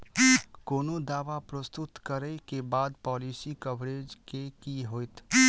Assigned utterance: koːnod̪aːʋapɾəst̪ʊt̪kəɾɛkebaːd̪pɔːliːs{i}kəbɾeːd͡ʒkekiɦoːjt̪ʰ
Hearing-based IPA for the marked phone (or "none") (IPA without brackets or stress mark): i